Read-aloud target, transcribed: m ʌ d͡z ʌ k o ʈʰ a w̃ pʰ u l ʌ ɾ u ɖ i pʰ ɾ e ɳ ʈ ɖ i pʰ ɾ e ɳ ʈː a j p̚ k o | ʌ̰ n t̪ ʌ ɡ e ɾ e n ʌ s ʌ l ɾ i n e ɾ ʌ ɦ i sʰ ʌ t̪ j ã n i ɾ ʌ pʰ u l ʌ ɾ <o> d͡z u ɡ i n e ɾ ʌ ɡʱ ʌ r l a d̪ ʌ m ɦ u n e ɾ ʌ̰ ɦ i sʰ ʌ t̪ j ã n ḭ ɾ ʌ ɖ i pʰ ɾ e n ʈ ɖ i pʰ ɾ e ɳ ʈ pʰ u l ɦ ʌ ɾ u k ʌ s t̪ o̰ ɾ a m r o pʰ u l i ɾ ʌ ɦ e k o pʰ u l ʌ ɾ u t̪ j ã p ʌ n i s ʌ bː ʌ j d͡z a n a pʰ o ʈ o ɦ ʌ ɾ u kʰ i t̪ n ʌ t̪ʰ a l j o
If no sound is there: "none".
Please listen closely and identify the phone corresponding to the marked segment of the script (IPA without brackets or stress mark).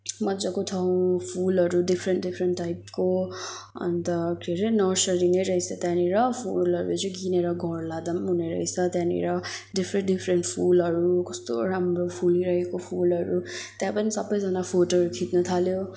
u